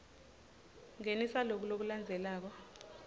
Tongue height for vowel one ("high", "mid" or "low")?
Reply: mid